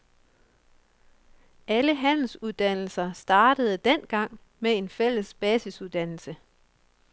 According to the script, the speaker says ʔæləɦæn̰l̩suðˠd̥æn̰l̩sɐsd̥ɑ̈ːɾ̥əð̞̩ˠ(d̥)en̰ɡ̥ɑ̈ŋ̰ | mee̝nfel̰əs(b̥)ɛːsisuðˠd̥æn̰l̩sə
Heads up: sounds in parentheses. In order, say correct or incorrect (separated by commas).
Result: correct, correct